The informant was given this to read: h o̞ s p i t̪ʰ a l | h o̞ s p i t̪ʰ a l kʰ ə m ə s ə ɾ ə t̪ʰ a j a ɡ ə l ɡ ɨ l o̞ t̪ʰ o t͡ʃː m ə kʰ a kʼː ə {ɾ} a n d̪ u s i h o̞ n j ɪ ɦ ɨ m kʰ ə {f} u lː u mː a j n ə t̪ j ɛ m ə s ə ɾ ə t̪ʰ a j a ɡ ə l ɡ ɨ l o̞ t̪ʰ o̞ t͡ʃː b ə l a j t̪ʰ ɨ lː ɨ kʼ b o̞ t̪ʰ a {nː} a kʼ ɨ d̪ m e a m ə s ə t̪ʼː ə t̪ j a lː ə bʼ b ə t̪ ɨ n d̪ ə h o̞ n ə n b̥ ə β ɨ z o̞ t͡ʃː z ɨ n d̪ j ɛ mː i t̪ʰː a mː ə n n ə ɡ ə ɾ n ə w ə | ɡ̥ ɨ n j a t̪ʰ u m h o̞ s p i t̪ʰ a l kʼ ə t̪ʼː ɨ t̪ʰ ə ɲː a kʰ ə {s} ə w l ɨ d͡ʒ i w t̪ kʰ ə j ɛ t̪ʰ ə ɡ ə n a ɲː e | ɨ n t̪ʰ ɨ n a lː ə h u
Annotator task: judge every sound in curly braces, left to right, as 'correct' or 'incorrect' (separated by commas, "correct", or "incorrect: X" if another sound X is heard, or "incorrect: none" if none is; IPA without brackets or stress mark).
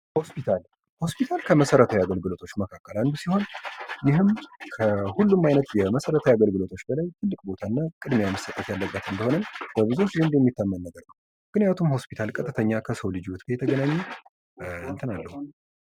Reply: incorrect: l, incorrect: h, correct, correct